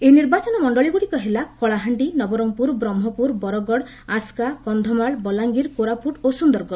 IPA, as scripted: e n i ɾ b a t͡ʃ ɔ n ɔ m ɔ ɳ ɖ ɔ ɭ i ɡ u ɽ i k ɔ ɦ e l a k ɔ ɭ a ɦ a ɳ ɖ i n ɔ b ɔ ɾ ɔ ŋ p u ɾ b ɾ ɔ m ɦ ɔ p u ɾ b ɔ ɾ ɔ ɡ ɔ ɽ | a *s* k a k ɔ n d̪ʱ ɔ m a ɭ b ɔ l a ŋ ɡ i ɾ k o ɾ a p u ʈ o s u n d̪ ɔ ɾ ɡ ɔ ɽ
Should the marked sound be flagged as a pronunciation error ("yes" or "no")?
no